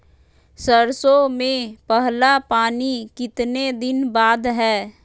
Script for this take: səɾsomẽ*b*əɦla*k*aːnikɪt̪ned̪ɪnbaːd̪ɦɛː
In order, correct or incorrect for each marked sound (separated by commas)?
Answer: incorrect, incorrect